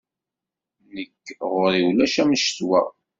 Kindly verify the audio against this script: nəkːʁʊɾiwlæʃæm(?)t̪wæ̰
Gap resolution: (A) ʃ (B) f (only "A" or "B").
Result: A